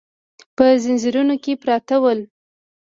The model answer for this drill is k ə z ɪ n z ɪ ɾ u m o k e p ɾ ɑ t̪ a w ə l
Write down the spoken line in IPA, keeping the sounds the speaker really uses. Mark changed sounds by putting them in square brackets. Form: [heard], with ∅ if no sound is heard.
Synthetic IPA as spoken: [p] ə z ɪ n z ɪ ɾ u [n] o k e p ɾ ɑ t̪ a w ə l